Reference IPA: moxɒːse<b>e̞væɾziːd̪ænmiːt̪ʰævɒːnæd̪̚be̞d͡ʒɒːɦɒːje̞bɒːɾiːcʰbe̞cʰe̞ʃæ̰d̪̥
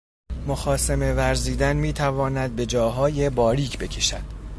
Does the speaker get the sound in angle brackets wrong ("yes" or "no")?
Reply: yes